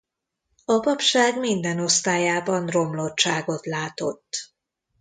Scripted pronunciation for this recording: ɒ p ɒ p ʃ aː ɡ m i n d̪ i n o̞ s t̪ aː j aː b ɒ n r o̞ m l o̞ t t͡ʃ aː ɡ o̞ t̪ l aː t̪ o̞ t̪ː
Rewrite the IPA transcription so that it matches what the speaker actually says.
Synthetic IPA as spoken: ɒ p ɒ p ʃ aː ɡ m i n d̪ ɛ n o̞ s t̪ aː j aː b ɒ n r o̞ m l o̞ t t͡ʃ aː ɡ o̞ t̪ l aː t̪ o̞ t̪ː